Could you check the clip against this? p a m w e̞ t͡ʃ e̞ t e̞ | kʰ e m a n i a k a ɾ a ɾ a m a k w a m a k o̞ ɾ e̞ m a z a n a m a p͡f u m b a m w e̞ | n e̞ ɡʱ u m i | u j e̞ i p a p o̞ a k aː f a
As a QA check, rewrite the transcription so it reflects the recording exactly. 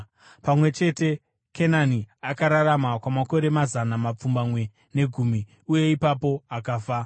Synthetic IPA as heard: p a m w e̞ t͡ʃ e̞ t e̞ | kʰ e n a n i a k a ɾ a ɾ a m a k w a m a k o̞ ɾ e̞ m a z a n a m a p͡f u m b a m w e̞ | n e̞ ɡʱ u m i | u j e̞ i p a p o̞ a k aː f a